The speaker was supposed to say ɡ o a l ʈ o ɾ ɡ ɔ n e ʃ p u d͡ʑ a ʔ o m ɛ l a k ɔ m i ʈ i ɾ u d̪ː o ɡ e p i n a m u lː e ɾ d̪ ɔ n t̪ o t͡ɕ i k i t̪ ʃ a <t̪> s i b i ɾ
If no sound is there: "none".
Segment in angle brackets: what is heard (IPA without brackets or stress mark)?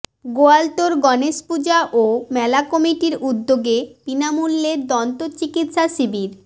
none